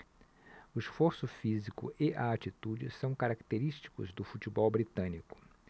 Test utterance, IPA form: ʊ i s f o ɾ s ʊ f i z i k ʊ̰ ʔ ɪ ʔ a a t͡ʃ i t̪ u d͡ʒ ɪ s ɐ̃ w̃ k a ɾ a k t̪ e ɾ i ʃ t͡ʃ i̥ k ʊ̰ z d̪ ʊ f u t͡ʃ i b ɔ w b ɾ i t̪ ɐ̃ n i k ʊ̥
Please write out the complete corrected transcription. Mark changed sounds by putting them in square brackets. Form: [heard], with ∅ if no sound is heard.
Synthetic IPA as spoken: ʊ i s f o ɾ s ʊ f i z i k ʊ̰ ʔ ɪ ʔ a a t͡ʃ i t̪ u d͡ʒ ɪ s ɐ̃ w̃ k a ɾ a k t̪ e ɾ i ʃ t͡ʃ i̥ k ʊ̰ z d̪ ʊ f u t͡ʃ i b ɔ w b ɾ i t̪ ɐ̃ n i k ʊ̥